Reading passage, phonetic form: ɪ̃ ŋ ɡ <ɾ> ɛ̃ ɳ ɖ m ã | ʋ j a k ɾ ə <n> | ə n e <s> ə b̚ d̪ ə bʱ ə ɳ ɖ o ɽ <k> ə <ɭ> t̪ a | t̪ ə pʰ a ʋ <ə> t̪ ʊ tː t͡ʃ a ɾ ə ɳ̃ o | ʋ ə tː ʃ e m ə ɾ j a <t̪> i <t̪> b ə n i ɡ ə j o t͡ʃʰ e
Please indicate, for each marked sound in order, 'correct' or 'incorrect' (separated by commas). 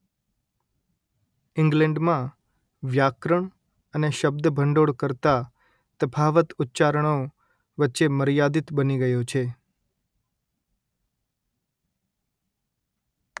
incorrect, incorrect, incorrect, correct, incorrect, correct, incorrect, correct